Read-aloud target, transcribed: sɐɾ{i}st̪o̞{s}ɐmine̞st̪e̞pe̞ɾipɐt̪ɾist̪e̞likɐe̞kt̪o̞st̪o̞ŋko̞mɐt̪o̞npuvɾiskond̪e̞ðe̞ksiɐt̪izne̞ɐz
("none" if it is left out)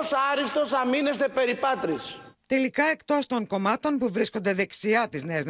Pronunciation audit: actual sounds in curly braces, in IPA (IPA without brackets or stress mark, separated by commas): i, s